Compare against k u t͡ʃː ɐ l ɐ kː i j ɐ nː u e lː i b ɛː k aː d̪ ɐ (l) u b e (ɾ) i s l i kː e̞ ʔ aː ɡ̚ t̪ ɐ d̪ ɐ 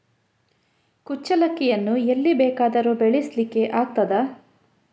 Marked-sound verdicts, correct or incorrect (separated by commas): incorrect, incorrect